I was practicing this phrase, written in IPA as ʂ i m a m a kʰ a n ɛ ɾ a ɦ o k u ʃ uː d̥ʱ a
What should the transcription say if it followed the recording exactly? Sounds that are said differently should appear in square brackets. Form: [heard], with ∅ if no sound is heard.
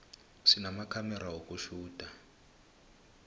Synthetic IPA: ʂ i [n] a m a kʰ a [m] ɛ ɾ a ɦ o k u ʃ uː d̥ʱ a